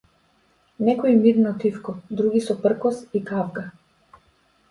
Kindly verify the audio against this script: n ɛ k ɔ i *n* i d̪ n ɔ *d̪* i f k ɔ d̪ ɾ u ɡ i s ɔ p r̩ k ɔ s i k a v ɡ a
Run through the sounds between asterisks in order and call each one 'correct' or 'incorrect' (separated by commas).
incorrect, incorrect